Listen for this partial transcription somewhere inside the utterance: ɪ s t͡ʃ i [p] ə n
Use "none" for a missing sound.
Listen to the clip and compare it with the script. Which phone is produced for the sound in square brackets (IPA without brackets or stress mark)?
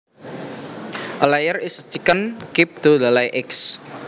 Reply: k